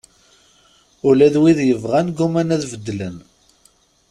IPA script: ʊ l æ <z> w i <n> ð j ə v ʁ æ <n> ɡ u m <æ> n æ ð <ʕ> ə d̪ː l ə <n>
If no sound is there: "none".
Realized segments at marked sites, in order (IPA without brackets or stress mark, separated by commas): ð, none, n, æ, v, n